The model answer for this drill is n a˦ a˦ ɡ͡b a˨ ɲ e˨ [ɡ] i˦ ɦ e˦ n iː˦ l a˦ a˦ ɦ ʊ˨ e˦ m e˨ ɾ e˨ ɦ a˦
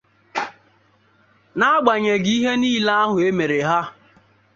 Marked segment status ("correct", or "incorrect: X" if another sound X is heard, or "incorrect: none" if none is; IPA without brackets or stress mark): correct